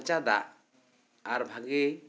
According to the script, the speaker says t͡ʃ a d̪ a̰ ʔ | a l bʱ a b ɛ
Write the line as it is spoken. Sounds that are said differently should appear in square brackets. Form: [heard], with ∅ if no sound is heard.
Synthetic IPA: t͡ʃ a d̪ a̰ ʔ | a [ɾ] bʱ a [ɡ] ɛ